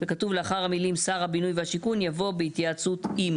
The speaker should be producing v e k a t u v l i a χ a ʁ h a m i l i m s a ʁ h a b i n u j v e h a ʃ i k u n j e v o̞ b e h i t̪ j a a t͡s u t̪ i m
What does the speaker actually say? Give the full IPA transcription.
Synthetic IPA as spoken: v e k a t u v l e a χ a ʁ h a m i l i m s a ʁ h a b i n u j v e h a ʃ i k u n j a v o̞ b e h i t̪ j a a t͡s u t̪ i m